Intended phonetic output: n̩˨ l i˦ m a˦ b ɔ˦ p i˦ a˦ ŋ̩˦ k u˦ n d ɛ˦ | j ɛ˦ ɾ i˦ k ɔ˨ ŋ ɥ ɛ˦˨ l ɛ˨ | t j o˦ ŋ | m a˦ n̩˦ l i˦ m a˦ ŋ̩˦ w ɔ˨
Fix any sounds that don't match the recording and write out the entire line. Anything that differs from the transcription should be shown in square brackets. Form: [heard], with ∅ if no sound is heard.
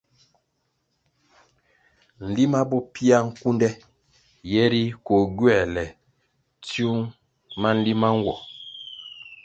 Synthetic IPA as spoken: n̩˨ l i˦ m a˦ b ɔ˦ p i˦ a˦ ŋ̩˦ k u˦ n d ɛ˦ | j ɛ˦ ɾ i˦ k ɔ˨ [ɡ] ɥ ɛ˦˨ l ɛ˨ | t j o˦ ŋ | m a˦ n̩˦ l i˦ m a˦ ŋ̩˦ w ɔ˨